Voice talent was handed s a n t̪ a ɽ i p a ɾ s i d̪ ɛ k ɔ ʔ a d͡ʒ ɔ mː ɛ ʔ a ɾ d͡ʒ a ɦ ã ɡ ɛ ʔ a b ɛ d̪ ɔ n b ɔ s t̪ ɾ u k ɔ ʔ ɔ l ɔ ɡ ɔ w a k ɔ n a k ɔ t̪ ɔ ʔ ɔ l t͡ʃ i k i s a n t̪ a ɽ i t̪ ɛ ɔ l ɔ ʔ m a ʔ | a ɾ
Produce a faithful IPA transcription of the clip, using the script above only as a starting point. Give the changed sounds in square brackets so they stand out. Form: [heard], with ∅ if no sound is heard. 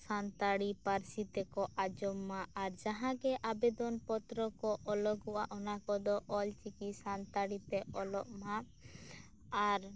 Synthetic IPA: s a n t̪ a ɽ i p a ɾ s i [t̪] ɛ k ɔ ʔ a d͡ʒ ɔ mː [a] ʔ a ɾ d͡ʒ a ɦ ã ɡ ɛ ʔ a b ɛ d̪ ɔ n [p] ɔ [∅] t̪ ɾ [ɔ] k ɔ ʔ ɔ l ɔ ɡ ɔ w a [ʔ] ɔ n a k ɔ [d̪] ɔ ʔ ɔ l t͡ʃ i k i s a n t̪ a ɽ i t̪ ɛ ɔ l ɔ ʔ m a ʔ | a ɾ